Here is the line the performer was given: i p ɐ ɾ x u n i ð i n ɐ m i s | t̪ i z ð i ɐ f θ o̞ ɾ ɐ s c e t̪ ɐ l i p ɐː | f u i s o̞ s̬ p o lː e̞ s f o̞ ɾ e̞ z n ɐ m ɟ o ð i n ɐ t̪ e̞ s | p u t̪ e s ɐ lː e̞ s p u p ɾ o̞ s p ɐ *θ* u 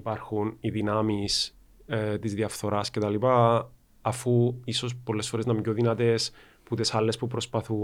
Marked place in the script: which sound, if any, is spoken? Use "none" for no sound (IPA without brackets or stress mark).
θ